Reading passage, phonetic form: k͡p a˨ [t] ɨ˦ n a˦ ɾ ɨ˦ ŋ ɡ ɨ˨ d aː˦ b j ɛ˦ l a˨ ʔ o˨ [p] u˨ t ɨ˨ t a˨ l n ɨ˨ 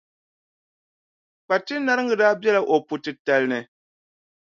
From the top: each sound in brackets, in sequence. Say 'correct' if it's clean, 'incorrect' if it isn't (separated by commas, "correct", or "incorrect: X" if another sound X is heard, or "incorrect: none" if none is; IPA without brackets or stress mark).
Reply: correct, correct